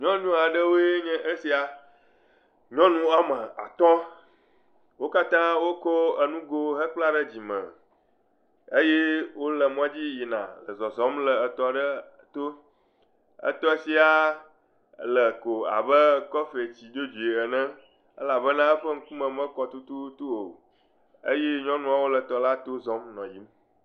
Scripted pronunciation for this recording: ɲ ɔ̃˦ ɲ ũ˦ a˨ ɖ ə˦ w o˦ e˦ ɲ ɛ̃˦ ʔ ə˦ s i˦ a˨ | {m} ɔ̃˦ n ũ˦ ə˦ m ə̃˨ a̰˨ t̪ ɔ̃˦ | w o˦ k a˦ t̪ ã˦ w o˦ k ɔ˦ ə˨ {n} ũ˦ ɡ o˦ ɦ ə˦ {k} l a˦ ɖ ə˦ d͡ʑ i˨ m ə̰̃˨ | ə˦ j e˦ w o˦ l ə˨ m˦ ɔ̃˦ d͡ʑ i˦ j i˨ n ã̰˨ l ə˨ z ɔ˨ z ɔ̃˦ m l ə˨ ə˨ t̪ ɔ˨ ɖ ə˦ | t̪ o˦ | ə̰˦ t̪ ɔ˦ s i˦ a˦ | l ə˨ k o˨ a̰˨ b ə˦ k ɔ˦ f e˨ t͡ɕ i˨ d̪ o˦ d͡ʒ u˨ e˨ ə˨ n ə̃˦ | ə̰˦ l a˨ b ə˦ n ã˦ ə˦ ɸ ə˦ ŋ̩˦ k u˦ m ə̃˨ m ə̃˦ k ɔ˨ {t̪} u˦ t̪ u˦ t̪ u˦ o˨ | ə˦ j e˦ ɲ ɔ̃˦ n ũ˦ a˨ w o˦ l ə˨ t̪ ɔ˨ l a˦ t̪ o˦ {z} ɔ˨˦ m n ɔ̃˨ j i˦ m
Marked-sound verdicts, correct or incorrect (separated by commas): incorrect, correct, incorrect, correct, correct